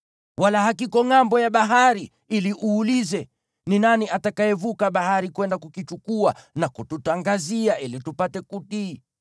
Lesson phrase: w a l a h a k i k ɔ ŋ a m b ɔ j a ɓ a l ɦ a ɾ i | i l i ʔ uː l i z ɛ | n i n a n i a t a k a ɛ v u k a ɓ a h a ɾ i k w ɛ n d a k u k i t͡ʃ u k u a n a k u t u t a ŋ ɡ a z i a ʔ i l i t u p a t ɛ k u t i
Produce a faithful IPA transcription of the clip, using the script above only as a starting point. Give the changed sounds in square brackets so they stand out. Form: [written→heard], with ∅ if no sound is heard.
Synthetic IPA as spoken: w a l a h a k i k ɔ ŋ a m b ɔ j a ɓ a [l→∅] ɦ a ɾ i | i l i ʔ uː l i z ɛ | n i n a n i a t a k a ɛ v u k a ɓ a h a ɾ i k w ɛ n d a k u k i t͡ʃ u k u a n a k u t u t a ŋ ɡ a z i a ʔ i l i t u p a t ɛ k u t i